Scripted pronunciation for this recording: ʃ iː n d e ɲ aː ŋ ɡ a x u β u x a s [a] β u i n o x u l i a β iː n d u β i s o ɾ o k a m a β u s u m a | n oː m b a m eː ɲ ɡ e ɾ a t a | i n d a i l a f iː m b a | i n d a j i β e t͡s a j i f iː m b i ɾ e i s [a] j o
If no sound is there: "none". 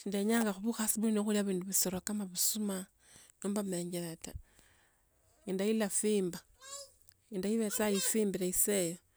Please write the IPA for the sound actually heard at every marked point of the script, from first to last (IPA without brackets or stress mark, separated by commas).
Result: i, e